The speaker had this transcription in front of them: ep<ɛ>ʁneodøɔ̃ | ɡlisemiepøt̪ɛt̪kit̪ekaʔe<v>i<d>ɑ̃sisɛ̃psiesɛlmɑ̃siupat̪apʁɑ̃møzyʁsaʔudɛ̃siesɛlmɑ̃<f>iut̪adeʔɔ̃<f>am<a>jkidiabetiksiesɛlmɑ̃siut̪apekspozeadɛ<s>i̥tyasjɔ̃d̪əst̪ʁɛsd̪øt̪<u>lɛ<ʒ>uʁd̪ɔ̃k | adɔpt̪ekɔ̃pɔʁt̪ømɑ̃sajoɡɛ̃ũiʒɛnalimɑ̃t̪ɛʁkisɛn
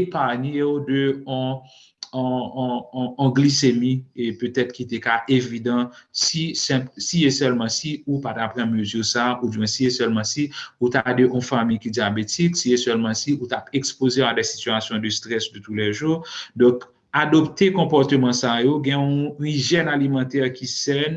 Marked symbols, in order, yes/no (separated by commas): no, yes, yes, no, yes, no, yes, yes, yes